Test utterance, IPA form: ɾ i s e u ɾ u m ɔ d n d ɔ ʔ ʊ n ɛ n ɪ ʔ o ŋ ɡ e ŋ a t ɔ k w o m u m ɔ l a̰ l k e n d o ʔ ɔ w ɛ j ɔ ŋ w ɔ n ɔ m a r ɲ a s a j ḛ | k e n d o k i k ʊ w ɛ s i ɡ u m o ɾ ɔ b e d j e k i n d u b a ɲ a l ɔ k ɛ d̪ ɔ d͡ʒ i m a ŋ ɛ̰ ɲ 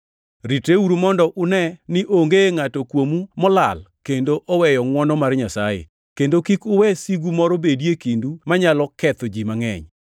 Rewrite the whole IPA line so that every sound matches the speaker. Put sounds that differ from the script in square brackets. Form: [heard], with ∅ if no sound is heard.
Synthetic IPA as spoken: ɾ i [t] e u ɾ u m ɔ [∅] n d ɔ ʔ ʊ n ɛ n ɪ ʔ o ŋ ɡ e ŋ a t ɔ k w o m u m ɔ l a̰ l k e n d o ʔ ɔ w ɛ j ɔ ŋ w ɔ n ɔ m a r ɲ a s a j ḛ | k e n d o k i k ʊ w ɛ s i ɡ u m [ɔ] ɾ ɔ b e d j e k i n d u [m] a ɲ a l ɔ k ɛ [t̪] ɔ d͡ʒ i m a ŋ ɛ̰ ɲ